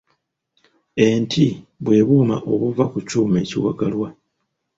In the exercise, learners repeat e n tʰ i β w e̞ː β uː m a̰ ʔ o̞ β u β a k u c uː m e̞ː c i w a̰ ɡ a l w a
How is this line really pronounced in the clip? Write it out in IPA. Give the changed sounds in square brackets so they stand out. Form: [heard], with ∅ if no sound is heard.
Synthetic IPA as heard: e n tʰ i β w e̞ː β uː m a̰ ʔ o̞ β u [v] a k u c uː m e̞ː c i w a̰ ɡ a l w a